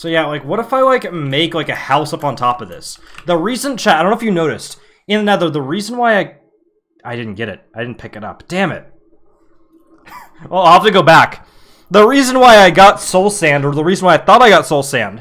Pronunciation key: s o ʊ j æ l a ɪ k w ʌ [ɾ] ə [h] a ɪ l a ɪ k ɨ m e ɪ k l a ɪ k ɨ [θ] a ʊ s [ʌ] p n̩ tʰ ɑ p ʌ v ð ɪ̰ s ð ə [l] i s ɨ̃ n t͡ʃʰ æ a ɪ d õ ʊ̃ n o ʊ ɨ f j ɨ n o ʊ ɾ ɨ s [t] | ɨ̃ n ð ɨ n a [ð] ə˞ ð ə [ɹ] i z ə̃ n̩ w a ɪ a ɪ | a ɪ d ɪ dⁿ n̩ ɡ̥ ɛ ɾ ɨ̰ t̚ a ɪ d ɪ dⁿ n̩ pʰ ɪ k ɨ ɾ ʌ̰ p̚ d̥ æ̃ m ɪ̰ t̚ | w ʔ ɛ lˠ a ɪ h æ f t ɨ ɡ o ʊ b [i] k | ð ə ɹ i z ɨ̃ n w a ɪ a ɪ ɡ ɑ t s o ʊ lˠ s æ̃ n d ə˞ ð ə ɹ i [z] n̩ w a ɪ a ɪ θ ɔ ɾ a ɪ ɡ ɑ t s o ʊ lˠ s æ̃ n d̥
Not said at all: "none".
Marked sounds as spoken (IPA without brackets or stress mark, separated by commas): ɾ, f, h, ʌ, ɹ, t, ð, ɹ, æ, z